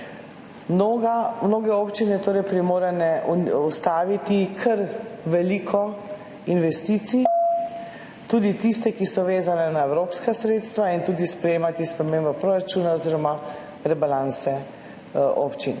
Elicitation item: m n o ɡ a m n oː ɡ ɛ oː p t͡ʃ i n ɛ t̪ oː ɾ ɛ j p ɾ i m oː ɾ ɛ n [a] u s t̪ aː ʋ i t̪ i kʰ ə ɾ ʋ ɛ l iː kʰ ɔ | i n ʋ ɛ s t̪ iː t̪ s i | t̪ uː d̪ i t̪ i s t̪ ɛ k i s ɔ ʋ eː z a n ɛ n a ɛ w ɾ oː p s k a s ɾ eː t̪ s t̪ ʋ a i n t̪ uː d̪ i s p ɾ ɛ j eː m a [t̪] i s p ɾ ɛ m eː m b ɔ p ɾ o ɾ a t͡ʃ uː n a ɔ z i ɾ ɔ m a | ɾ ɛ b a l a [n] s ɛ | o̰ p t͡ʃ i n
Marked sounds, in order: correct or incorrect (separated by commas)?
incorrect, correct, correct